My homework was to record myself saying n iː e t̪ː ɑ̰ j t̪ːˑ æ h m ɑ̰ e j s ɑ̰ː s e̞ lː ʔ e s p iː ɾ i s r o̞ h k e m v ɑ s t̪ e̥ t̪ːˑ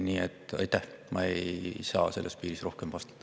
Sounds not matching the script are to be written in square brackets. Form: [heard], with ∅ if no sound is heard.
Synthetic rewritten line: n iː e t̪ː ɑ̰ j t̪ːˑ æ h m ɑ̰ e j s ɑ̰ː s e̞ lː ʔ e s p iː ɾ i s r o̞ h k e m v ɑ s t̪ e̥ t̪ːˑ